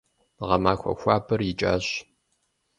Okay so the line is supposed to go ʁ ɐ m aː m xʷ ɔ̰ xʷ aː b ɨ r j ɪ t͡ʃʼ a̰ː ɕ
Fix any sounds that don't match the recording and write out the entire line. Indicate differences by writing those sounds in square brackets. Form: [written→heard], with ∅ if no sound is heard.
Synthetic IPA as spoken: ʁ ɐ m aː [m→∅] xʷ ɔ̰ xʷ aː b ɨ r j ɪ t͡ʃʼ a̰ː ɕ